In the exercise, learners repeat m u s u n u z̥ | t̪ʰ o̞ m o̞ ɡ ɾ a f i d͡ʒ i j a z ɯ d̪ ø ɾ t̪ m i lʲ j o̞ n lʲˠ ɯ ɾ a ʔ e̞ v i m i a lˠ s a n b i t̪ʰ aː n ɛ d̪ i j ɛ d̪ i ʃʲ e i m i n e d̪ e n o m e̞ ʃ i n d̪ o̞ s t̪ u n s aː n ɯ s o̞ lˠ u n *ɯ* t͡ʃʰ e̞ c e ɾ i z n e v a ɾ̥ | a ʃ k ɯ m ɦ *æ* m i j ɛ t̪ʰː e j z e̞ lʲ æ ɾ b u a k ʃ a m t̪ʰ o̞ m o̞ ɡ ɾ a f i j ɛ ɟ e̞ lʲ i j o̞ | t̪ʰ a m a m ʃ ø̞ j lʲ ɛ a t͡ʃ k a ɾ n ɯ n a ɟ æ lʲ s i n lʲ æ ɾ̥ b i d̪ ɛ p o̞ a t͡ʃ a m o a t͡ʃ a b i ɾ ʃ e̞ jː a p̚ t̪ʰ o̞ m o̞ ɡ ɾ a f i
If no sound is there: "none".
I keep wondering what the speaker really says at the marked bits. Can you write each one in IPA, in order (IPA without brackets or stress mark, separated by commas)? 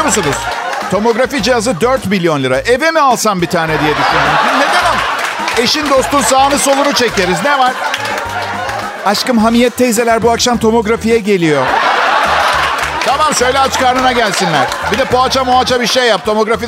u, a